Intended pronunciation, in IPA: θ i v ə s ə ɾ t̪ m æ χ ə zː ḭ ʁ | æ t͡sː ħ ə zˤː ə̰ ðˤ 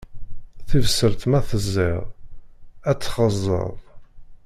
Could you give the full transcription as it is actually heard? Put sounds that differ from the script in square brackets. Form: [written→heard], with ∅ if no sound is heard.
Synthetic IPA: θ i v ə s ə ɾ t̪ m æ [χ→θ] ə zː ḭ ʁ | æ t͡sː [ħ→χ] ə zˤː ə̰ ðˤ